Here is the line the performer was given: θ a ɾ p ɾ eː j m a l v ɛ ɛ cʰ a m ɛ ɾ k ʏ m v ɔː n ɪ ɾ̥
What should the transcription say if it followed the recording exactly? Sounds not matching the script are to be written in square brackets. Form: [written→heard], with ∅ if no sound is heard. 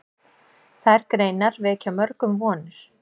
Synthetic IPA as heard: θ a ɾ [p→k] ɾ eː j [m→n] a [l→ɾ] v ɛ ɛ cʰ a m [ɛ→œ] ɾ k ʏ m v ɔː n ɪ ɾ̥